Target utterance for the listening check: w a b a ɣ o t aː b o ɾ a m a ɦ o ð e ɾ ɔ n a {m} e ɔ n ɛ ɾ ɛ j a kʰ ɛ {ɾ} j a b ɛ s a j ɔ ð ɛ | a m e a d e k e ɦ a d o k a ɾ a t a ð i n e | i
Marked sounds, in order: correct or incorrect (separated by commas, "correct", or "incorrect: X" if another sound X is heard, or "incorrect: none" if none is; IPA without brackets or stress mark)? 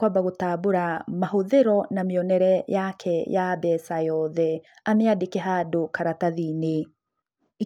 correct, incorrect: none